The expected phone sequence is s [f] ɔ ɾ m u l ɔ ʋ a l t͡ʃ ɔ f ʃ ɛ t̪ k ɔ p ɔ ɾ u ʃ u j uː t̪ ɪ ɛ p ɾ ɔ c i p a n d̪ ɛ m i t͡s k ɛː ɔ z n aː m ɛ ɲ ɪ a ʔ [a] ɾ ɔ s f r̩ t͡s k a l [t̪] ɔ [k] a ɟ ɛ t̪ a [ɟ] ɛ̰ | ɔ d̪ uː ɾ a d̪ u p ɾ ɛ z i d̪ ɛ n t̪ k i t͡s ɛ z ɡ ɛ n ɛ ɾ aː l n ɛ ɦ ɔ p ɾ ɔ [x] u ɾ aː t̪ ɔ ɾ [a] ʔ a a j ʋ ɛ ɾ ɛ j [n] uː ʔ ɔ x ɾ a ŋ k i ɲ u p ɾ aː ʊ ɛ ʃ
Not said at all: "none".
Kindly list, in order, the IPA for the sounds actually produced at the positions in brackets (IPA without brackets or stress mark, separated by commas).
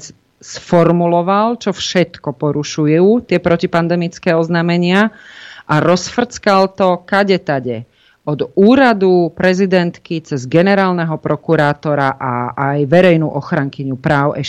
f, a, t̪, k, ɟ, k, a, n